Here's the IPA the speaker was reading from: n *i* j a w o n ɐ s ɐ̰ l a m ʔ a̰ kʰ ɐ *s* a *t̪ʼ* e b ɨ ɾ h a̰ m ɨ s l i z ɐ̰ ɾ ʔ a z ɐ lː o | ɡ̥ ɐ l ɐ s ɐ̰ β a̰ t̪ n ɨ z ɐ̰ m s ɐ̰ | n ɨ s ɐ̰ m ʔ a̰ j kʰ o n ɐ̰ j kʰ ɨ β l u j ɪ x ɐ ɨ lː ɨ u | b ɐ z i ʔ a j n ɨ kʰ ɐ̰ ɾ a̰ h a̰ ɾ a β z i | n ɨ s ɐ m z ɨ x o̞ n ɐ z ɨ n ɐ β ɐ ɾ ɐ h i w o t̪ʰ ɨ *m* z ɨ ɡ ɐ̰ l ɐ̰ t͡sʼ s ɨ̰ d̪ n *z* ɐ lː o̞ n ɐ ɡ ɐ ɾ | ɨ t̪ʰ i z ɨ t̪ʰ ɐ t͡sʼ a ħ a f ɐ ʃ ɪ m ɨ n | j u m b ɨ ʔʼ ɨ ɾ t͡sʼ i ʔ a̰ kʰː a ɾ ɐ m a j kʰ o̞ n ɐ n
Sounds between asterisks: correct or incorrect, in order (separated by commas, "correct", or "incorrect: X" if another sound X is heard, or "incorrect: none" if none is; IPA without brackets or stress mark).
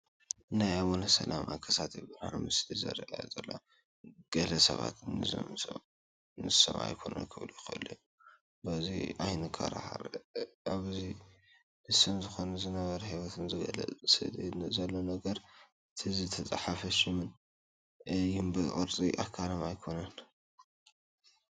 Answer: incorrect: a, correct, incorrect: t̪, incorrect: n, correct